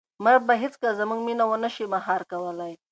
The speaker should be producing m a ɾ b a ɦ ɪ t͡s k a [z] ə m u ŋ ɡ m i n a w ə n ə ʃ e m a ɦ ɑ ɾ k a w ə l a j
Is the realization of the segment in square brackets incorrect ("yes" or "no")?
no